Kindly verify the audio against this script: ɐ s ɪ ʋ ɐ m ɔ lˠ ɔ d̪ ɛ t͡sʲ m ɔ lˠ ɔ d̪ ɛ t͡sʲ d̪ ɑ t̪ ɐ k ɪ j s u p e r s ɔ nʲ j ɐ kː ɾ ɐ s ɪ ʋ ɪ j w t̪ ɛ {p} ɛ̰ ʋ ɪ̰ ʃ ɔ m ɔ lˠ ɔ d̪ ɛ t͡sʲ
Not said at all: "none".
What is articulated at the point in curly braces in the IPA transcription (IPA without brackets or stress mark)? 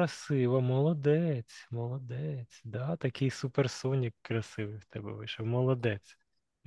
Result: b